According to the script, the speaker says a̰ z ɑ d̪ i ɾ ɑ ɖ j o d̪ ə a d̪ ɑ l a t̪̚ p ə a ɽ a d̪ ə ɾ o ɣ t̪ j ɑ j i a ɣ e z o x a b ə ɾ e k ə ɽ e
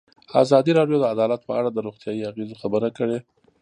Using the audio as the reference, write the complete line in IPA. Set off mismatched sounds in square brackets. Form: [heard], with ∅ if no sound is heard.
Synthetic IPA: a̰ z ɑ d̪ i ɾ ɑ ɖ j o d̪ ə a d̪ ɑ l a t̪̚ p ə a ɽ a d̪ ə ɾ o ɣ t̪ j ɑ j i a ɣ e z o x a b ə ɾ [a] k ə ɽ e